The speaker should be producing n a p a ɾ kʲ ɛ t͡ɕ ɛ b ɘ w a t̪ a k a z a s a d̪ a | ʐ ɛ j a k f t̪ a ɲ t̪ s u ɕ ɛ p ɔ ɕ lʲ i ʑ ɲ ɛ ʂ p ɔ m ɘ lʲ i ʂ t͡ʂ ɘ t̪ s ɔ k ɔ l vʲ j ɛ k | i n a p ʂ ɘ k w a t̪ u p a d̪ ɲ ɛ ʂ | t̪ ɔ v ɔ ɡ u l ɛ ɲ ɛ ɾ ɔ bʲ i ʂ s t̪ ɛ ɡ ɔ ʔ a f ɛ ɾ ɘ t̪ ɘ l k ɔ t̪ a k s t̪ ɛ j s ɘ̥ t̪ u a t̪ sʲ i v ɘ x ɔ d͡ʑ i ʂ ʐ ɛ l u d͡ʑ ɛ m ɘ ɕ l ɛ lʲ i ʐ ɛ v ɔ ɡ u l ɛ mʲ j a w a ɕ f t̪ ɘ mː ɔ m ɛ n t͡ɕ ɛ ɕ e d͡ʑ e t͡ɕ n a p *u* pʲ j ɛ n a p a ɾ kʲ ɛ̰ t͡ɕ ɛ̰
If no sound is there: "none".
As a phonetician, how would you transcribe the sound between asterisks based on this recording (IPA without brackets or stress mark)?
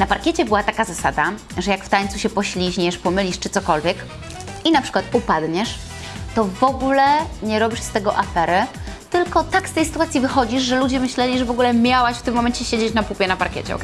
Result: u